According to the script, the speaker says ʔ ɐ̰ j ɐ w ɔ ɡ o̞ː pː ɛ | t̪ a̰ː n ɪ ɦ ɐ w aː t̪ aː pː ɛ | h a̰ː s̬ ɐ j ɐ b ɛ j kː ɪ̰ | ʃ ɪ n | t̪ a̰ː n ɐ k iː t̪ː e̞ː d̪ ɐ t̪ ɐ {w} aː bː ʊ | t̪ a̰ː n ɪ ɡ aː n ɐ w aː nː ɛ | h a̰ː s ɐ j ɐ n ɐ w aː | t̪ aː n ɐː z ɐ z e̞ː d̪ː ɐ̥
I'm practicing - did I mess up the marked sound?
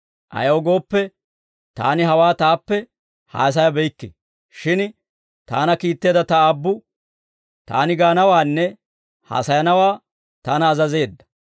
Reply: yes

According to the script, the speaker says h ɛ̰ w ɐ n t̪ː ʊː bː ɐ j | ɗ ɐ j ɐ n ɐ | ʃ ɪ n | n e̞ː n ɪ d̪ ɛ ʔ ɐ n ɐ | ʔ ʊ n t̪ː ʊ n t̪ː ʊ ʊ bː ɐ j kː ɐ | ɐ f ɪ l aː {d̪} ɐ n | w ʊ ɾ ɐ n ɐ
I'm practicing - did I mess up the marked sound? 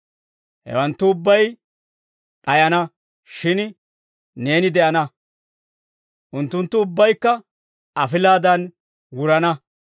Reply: no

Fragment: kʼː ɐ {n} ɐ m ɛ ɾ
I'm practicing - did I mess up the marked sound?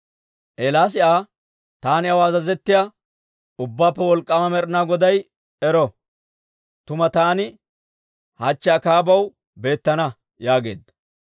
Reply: yes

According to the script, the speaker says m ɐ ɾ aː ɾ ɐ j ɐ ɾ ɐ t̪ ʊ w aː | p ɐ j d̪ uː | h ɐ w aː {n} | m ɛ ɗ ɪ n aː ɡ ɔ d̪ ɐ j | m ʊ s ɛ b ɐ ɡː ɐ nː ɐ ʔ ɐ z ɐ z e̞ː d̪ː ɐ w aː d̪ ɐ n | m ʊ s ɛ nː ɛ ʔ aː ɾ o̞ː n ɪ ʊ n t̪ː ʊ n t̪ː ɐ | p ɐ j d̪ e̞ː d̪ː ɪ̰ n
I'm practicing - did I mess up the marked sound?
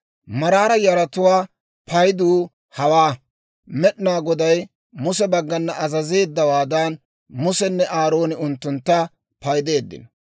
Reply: yes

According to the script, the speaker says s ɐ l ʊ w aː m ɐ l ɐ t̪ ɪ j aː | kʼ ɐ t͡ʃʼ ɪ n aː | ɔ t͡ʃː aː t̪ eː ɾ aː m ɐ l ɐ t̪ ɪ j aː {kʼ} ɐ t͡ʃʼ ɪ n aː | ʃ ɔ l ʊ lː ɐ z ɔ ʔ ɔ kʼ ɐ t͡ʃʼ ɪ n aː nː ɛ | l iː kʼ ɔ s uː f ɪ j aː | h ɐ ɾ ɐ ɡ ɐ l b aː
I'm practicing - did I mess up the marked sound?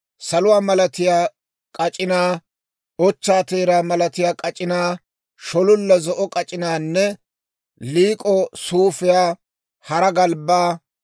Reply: no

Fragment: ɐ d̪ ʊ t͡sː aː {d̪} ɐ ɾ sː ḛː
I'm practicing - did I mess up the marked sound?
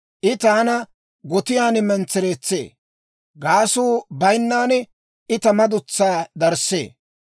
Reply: no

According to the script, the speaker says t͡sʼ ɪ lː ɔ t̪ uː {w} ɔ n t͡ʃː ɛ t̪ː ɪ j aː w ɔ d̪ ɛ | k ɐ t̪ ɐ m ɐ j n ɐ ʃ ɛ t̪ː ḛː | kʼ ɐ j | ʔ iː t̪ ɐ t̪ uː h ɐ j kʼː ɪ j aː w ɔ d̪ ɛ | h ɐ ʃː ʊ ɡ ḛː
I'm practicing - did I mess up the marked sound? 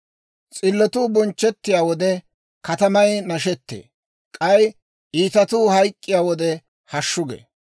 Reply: yes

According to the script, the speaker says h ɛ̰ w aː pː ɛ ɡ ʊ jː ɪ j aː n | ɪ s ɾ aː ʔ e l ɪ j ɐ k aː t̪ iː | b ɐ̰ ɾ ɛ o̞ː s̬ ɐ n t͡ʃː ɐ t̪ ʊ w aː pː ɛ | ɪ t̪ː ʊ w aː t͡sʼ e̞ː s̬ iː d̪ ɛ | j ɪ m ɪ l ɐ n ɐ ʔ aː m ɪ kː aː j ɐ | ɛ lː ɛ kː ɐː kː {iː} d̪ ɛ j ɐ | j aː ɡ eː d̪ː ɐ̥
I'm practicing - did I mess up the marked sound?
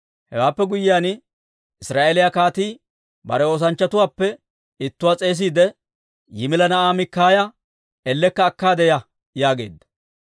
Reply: yes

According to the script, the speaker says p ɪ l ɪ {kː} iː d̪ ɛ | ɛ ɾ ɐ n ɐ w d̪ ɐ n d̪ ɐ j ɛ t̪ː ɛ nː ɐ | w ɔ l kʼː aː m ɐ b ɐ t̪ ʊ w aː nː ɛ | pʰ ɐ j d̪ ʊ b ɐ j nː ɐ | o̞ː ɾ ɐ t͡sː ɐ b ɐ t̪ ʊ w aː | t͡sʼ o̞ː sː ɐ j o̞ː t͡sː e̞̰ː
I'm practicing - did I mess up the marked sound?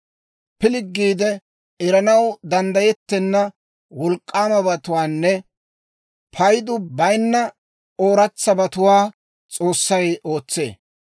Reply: yes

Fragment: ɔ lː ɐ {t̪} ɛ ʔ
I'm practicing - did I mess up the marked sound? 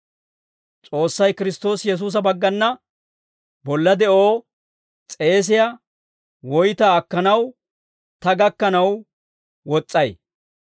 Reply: yes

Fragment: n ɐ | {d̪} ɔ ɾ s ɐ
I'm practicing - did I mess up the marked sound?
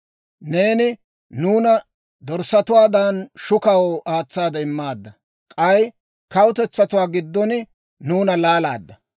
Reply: no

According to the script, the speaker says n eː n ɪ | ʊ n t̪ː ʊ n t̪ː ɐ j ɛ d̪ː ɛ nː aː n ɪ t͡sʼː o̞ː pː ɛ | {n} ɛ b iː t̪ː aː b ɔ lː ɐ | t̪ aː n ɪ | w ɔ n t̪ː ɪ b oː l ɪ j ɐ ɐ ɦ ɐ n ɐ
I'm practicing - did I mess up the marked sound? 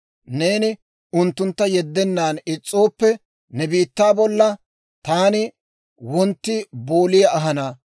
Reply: no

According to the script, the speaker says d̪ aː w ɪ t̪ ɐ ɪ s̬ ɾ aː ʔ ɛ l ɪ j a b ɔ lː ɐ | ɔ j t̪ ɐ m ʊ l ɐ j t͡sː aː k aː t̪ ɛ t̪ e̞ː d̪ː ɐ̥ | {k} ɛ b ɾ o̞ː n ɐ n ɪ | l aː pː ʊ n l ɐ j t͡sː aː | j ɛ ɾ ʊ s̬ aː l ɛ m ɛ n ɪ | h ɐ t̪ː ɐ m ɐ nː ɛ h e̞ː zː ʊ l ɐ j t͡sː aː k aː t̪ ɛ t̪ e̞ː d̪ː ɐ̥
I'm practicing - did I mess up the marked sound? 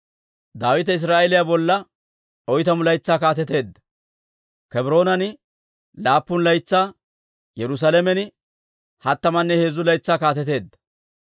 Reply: no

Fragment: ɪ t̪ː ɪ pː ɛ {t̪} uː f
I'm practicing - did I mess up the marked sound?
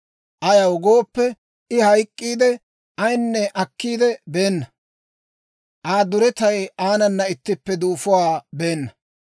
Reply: yes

